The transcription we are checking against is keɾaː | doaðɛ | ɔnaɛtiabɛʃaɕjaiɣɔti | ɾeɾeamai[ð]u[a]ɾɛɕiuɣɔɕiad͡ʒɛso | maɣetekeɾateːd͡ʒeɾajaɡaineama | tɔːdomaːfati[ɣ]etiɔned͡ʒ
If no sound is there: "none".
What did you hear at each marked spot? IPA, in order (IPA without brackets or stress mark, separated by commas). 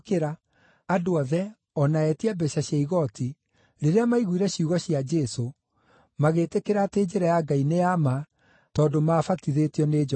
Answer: ɣ, i, ð